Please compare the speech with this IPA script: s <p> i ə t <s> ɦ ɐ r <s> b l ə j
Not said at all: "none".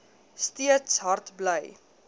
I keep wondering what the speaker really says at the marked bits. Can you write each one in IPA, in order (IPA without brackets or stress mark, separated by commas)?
t, s, t